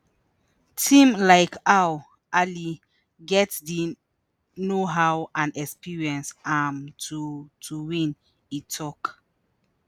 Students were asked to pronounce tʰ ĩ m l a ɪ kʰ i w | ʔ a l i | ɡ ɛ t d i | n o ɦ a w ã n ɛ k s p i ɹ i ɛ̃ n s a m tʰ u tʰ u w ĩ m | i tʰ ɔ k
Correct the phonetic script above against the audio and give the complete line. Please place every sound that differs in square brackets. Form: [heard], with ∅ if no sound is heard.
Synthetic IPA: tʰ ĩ m l a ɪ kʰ [a] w | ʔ a l i | ɡ ɛ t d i | n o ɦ a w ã n ɛ k s p i ɹ i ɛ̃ n s a m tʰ u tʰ u w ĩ [n] | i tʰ ɔ k